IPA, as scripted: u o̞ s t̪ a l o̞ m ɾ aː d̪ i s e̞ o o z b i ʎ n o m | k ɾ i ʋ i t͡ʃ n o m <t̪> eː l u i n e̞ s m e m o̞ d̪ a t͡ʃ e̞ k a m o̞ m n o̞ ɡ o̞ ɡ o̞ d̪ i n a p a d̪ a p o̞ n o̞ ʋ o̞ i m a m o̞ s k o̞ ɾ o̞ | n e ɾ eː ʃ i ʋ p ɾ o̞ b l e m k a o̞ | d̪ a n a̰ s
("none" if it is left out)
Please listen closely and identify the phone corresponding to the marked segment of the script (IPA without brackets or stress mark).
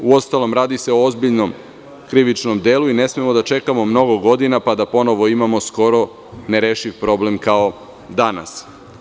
d̪